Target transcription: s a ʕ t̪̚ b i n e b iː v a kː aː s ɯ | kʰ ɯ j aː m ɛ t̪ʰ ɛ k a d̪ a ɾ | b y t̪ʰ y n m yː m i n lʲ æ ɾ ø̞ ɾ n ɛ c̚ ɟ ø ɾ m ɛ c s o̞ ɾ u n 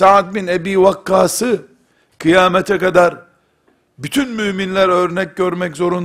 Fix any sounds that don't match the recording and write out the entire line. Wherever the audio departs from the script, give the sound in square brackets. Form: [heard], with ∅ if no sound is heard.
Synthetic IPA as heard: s a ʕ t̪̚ b i n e b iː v a kː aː s ɯ | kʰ ɯ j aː m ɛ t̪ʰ ɛ k a d̪ a ɾ | b y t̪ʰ y n m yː m i n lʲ æ ɾ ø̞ ɾ n ɛ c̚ ɟ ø ɾ m ɛ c [z] o̞ ɾ u n